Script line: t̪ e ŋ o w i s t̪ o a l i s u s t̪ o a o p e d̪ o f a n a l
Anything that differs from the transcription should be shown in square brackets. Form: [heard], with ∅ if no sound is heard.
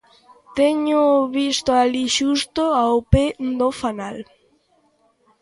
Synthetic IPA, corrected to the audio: t̪ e [ɲ] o [β] i s t̪ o a l i [ʃ] u s t̪ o a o p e d̪ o f a n a l